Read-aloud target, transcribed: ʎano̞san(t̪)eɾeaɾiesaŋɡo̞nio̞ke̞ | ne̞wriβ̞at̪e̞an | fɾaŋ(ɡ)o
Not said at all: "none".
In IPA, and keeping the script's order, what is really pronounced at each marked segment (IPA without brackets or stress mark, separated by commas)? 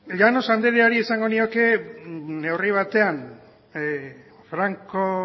d̪, k